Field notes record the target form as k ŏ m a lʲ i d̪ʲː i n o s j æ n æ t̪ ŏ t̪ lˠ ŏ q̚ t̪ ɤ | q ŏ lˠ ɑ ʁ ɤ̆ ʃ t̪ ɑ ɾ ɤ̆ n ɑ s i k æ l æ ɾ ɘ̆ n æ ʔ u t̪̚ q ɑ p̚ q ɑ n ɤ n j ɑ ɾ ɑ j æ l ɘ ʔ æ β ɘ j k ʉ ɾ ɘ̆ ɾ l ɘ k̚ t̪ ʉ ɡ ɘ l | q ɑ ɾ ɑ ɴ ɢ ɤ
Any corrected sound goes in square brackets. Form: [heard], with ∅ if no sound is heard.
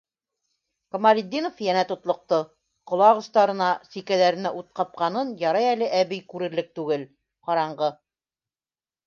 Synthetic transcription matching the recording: k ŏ m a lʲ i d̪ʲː i n o [f] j æ n æ t̪ ŏ t̪ lˠ ŏ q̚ t̪ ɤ | q ŏ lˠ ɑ ʁ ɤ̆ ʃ t̪ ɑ ɾ ɤ̆ n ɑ s i k æ l æ ɾ ɘ̆ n æ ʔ u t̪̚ q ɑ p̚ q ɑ n ɤ n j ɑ ɾ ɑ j æ l ɘ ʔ æ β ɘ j k ʉ ɾ ɘ̆ ɾ l ɘ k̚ t̪ ʉ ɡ ɘ l | q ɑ ɾ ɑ ɴ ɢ ɤ